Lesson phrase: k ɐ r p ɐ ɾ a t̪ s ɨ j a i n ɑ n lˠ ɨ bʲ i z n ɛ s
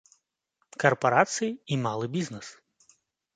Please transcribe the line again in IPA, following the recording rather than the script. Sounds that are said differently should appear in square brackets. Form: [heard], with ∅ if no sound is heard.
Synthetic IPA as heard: k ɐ r p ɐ ɾ a t̪ s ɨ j [i] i [m] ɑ [∅] lˠ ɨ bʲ i z n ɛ s

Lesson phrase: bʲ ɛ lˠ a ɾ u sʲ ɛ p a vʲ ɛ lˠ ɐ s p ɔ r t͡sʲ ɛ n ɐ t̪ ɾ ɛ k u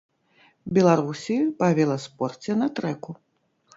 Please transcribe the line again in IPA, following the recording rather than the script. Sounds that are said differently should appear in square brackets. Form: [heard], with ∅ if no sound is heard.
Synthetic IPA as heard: bʲ ɛ lˠ a ɾ u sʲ [i] p a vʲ ɛ lˠ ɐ s p ɔ r t͡sʲ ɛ n ɐ t̪ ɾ ɛ k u

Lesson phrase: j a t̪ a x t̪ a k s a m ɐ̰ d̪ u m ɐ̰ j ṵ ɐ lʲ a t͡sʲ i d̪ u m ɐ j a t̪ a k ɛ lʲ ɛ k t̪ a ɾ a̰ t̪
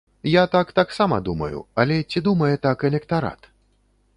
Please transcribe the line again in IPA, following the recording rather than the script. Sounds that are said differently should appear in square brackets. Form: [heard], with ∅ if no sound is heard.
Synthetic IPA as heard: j a t̪ a [k] t̪ a k s a m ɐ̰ d̪ u m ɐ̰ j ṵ ɐ lʲ [ɛ] t͡sʲ i d̪ u m ɐ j [ɛ] t̪ a k ɛ lʲ ɛ k t̪ a ɾ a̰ t̪

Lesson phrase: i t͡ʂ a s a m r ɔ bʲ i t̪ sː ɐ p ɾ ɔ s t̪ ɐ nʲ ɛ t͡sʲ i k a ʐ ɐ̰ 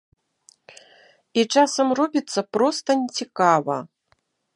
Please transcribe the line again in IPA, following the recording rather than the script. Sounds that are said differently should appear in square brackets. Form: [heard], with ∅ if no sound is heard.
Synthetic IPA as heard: i t͡ʂ a s [ɐ] m r ɔ bʲ i t̪ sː ɐ p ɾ ɔ s t̪ ɐ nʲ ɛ t͡sʲ i k a [v] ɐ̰

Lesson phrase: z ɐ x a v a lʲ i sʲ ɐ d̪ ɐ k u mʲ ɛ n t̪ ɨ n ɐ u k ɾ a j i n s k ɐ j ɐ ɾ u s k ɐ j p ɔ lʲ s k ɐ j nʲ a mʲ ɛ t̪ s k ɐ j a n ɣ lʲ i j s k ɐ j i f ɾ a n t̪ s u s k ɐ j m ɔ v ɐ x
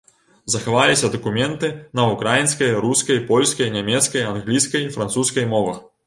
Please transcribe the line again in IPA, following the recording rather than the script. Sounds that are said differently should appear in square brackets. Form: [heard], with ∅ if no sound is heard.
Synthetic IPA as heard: z ɐ x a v a lʲ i sʲ ɐ d̪ ɐ k u mʲ ɛ n t̪ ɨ n ɐ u k ɾ a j i n s k ɐ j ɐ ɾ u s k ɐ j p ɔ lʲ s k ɐ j nʲ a mʲ ɛ t̪ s k ɐ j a n ɣ lʲ i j s k ɐ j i f ɾ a n t̪ s u s k ɐ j m ɔ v ɐ x

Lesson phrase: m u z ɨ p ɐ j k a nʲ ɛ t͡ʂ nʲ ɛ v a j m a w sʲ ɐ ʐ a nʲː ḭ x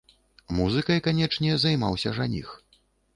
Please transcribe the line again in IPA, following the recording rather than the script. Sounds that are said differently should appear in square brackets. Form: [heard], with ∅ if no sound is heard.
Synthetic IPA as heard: m u z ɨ [k] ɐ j k a nʲ ɛ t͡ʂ nʲ ɛ [z] a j m a w sʲ ɐ ʐ a [nʲ] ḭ x

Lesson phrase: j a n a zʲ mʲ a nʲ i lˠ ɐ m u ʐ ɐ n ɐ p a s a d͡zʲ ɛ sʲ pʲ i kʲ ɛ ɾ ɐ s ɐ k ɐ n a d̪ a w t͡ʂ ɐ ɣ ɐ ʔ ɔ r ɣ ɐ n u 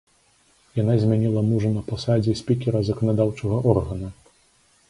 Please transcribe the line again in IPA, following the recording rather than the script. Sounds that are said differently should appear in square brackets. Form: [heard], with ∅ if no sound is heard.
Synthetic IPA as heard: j a n a zʲ mʲ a nʲ i lˠ ɐ m u ʐ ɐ n ɐ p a s a d͡zʲ ɛ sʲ pʲ i kʲ ɛ ɾ ɐ [z] ɐ k ɐ n a d̪ a w t͡ʂ ɐ ɣ ɐ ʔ ɔ r ɣ ɐ n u

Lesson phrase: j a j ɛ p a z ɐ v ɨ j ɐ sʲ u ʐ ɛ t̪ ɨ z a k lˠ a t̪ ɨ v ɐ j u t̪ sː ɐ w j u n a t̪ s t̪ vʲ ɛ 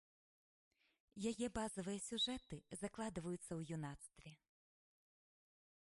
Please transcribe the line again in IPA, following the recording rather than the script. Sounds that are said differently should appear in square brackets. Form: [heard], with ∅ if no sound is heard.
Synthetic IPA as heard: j a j ɛ [b] a z ɐ v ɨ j ɐ sʲ u ʐ ɛ t̪ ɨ z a k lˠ a [d̪] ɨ v ɐ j u t̪ sː ɐ w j u n a t̪ s t̪ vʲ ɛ

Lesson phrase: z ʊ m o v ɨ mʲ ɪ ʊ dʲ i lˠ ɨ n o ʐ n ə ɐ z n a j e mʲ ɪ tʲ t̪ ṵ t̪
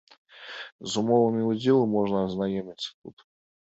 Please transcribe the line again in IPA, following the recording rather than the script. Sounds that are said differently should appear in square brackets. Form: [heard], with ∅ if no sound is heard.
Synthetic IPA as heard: z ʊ m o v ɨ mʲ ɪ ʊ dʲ i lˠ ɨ [m] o ʐ n ə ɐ z n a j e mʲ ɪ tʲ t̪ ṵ t̪

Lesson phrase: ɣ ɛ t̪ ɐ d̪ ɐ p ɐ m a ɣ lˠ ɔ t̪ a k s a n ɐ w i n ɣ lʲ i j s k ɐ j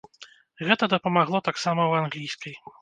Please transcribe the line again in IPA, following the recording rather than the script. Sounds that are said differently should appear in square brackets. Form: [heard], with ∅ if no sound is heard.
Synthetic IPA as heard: ɣ ɛ t̪ ɐ d̪ ɐ p ɐ m a ɣ lˠ ɔ t̪ a k s a [m] ɐ w [a] n ɣ lʲ i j s k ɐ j

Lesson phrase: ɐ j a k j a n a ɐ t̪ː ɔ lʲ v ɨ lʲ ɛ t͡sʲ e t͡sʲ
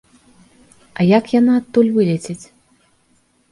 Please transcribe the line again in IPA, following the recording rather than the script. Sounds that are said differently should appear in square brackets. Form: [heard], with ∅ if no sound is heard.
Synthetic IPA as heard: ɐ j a k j a n a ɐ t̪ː [u] lʲ v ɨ lʲ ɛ t͡sʲ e t͡sʲ

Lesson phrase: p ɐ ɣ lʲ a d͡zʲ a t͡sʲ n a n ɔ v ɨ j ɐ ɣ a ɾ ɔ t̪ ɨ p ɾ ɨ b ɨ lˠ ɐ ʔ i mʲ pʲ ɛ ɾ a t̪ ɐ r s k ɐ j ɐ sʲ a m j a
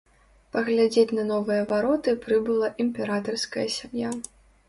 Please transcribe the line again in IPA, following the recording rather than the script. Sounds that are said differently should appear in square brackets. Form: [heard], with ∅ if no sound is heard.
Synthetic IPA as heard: p ɐ ɣ lʲ a d͡zʲ [e] t͡sʲ n [ɐ] n ɔ v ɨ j ɐ [v] a ɾ ɔ t̪ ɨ p ɾ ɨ b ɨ lˠ ɐ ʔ i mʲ pʲ ɛ ɾ a t̪ ɐ r s k ɐ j ɐ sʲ a m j a

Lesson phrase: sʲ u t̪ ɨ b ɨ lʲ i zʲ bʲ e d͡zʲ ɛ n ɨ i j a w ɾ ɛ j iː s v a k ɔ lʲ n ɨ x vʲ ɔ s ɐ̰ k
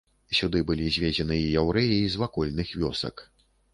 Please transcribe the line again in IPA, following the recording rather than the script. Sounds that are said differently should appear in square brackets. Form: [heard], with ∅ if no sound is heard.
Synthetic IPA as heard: sʲ u [d̪] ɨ b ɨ lʲ i zʲ [vʲ] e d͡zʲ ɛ n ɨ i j a w ɾ ɛ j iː [z] v a k ɔ lʲ n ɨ x vʲ ɔ s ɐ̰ k

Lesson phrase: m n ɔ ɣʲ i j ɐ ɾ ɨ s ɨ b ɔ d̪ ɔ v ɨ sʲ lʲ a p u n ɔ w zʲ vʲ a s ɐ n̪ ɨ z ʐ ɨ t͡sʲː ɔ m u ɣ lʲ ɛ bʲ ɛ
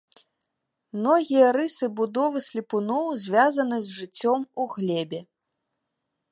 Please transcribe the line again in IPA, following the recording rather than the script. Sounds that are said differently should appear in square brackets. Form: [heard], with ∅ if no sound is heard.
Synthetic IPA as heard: m n ɔ ɣʲ i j ɐ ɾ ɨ s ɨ b [u] d̪ ɔ v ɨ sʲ lʲ [i] p u n ɔ w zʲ vʲ a [z] ɐ n̪ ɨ z ʐ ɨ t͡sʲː ɔ m u ɣ lʲ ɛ bʲ ɛ

